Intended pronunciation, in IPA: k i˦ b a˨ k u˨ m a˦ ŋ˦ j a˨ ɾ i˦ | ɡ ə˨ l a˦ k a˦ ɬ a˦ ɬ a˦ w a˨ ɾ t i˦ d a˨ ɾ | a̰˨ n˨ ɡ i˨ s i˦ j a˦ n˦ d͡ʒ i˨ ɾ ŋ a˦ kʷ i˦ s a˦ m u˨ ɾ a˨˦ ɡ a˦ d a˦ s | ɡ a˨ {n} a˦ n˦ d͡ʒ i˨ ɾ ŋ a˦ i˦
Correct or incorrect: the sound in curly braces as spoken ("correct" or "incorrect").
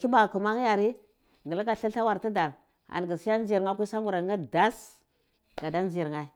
incorrect